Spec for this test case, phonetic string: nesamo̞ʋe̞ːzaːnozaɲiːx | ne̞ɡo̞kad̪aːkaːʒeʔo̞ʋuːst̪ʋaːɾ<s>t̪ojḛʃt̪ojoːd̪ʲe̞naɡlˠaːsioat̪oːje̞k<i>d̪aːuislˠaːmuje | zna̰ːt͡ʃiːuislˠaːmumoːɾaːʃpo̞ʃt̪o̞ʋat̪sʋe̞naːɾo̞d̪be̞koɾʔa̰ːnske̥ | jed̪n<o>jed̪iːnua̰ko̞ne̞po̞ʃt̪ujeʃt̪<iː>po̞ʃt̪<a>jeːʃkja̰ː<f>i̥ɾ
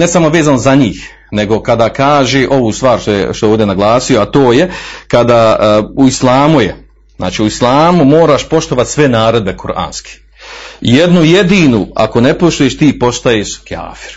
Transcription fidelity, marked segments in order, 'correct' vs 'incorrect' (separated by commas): incorrect, incorrect, incorrect, correct, correct, correct